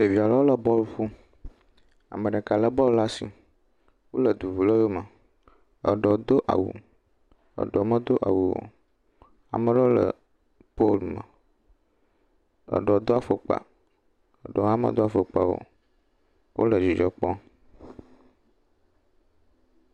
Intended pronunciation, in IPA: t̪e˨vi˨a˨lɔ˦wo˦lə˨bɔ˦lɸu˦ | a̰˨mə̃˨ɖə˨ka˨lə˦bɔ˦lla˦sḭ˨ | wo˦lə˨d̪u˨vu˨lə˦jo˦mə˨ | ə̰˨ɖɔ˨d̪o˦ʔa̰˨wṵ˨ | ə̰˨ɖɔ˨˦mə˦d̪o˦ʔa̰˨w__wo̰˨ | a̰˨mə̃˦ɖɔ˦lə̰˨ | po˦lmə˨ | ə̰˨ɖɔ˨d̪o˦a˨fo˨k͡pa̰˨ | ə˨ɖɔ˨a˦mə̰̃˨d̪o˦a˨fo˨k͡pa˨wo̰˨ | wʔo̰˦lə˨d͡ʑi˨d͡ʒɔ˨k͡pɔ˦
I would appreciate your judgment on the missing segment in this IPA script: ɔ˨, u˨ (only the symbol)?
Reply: u˨